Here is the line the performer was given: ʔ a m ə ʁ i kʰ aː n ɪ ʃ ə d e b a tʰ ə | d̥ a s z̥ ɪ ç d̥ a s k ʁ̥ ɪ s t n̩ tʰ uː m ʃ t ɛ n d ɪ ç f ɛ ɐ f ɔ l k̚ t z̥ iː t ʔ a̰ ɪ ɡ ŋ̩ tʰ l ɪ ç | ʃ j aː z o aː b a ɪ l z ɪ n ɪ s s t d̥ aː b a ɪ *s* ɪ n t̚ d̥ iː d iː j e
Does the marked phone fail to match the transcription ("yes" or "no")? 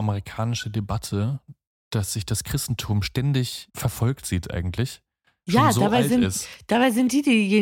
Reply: yes